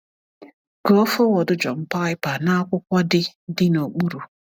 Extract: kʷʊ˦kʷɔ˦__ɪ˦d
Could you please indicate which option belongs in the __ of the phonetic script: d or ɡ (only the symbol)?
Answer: d